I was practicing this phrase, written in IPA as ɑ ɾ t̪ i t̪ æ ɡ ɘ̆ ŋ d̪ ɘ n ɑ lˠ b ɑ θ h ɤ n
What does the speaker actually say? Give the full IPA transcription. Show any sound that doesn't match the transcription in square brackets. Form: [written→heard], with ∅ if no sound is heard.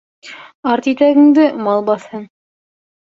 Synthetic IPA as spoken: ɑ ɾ t̪ i t̪ æ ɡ ɘ̆ ŋ d̪ ɘ [n→m] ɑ lˠ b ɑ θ h ɤ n